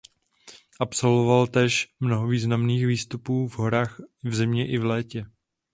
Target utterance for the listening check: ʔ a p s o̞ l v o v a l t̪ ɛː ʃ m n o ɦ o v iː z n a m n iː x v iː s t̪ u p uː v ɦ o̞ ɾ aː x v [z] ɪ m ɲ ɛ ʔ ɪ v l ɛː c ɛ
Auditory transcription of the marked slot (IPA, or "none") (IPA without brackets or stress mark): z